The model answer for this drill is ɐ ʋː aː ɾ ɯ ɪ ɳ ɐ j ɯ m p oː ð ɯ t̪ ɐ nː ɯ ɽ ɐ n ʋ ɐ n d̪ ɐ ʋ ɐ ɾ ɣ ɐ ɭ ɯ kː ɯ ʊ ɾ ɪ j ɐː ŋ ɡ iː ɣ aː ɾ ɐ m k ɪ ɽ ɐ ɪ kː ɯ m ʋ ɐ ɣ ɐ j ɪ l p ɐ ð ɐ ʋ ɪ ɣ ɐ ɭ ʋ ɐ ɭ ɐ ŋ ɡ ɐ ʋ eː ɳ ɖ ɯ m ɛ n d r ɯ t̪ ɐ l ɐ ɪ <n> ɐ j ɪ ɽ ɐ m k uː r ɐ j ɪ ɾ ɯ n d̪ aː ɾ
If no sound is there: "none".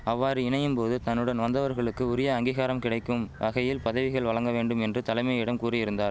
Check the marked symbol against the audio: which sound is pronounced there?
m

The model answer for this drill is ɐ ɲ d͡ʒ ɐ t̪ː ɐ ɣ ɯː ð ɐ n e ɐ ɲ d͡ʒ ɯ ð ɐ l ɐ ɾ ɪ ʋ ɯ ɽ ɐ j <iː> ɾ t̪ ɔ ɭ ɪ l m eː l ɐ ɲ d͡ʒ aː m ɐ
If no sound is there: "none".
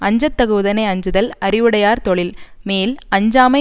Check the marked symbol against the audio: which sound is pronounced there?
aː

